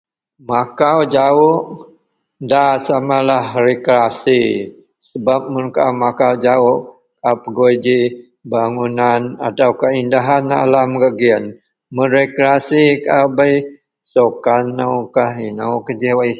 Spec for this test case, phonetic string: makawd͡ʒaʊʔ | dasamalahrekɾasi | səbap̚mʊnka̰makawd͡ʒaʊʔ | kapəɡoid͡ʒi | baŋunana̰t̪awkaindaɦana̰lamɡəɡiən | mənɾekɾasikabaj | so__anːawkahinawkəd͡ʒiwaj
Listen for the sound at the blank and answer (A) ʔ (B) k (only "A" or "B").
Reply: B